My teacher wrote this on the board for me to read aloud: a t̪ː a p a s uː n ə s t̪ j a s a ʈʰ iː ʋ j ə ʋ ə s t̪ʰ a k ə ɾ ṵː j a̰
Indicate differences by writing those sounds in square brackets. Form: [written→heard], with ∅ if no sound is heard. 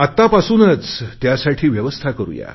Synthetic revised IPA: a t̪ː a p a s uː n ə [s→t͡s] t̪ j a s a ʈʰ iː ʋ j ə ʋ ə s t̪ʰ a k ə ɾ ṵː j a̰